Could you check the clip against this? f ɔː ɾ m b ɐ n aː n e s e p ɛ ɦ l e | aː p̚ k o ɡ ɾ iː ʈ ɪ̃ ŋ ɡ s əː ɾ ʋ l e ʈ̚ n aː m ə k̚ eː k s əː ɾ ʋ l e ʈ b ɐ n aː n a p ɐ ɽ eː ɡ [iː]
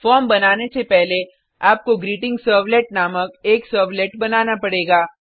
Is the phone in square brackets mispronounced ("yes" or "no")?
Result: yes